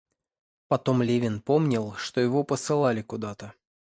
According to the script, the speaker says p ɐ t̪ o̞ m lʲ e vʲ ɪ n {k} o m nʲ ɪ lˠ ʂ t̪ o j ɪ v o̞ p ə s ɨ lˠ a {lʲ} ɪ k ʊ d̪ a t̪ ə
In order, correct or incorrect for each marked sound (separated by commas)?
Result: incorrect, correct